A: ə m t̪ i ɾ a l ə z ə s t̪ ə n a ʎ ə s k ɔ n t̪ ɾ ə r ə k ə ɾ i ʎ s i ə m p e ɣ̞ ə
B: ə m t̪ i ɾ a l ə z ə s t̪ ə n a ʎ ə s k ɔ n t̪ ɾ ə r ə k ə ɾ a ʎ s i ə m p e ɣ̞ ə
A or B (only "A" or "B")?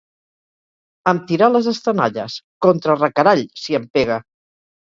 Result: B